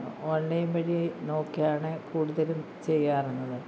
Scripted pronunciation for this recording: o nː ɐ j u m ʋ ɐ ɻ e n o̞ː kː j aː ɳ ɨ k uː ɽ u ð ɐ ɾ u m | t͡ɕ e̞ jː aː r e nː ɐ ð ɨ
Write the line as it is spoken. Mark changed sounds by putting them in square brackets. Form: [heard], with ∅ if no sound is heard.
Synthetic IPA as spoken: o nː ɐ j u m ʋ ɐ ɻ [i] n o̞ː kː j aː ɳ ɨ k uː ɽ u ð ɐ [l] u m | t͡ɕ e̞ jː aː r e nː ɐ ð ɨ